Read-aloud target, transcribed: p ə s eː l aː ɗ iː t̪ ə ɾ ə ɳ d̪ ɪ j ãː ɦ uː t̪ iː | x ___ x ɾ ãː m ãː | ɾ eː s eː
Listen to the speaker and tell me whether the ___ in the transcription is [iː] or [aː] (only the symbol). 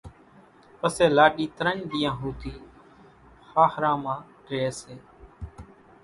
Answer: aː